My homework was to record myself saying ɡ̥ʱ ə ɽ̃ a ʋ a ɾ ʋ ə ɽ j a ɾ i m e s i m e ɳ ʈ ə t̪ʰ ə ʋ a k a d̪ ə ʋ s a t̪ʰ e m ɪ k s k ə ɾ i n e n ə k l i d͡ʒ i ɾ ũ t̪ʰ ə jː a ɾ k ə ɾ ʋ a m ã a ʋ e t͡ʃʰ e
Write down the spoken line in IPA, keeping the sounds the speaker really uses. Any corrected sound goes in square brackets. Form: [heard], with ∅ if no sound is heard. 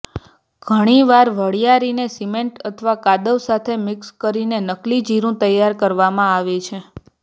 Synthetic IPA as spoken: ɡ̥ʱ ə ɽ̃ [i] ʋ a ɾ ʋ ə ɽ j a ɾ i [n] e s i m e ɳ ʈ ə t̪ʰ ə ʋ a k a d̪ ə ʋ s a t̪ʰ e m ɪ k s k ə ɾ i n e n ə k l i d͡ʒ i ɾ ũ [t̪] ə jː a ɾ k ə ɾ ʋ a m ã a ʋ e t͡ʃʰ e